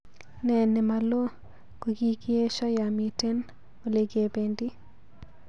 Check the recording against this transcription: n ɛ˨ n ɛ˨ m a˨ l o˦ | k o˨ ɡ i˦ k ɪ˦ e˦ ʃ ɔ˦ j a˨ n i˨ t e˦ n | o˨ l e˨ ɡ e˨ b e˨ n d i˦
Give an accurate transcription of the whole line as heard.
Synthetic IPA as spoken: n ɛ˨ n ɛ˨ m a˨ l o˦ | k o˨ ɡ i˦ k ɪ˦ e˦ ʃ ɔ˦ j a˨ m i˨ t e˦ n | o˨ l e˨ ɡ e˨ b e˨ n d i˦